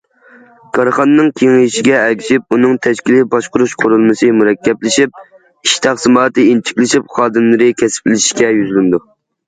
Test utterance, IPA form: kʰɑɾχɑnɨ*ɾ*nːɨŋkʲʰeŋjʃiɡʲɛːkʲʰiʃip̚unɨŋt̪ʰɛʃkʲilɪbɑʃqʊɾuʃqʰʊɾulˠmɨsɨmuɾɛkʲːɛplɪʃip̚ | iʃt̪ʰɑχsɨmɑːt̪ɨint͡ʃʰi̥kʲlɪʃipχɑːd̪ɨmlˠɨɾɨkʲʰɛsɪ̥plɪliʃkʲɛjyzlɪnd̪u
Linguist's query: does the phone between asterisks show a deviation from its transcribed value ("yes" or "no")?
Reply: yes